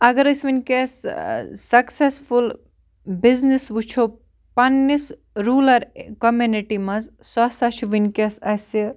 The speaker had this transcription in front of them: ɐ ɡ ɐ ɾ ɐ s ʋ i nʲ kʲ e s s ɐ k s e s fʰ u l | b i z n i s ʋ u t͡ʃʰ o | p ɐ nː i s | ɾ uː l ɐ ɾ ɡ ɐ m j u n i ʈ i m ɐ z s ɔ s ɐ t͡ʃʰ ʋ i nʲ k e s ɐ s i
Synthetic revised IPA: ɐ ɡ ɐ ɾ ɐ s ʋ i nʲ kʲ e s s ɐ k s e s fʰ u l | b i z n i s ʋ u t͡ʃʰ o | p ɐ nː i s | ɾ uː l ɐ ɾ k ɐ m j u n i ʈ i m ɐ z s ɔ s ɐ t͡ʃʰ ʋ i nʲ k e s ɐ s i